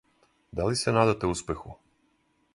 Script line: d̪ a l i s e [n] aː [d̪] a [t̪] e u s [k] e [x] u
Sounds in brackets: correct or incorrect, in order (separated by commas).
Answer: correct, correct, correct, incorrect, correct